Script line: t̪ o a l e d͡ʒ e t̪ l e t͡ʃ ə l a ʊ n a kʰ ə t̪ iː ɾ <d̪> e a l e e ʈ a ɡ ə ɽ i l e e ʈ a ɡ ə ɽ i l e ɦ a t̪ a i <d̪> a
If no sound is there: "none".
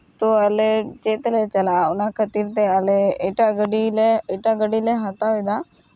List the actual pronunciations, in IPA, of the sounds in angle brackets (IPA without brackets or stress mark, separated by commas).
t̪, d̪